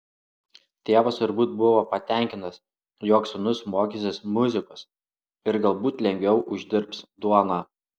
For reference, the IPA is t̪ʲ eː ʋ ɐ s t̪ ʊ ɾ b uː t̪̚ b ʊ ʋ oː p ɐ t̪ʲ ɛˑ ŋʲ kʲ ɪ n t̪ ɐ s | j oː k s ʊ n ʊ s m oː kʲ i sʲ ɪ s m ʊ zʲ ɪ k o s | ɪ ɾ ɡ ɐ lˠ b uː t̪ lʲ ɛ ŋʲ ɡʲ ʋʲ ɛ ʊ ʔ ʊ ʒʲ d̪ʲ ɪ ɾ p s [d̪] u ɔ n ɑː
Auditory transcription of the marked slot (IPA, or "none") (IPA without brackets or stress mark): d̪